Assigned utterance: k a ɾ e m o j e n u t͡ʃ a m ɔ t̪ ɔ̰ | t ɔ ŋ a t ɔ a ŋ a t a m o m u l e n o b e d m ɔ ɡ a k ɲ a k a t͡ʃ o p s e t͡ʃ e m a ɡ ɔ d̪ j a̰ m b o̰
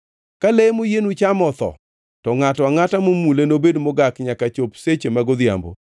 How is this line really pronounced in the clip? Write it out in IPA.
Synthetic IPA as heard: k a l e m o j e n u t͡ʃ a m ɔ t̪ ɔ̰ | t ɔ ŋ a t ɔ a ŋ a t a m o m u l e n o b e d m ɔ ɡ a k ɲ a k a t͡ʃ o p s e t͡ʃ e m a ɡ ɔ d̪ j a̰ m b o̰